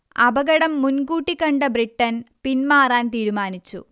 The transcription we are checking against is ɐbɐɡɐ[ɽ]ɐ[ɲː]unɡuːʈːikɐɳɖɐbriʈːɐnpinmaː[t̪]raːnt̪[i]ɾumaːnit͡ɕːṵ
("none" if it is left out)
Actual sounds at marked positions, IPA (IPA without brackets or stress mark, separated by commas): ɽ, mː, none, iː